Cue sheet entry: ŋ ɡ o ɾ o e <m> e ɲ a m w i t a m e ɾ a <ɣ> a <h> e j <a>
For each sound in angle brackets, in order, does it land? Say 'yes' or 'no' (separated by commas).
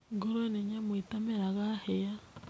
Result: no, yes, yes, yes